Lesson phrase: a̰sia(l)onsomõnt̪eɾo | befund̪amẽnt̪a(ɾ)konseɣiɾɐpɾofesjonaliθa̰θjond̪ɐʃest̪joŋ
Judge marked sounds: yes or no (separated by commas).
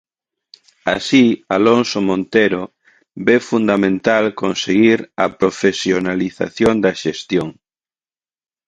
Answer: yes, no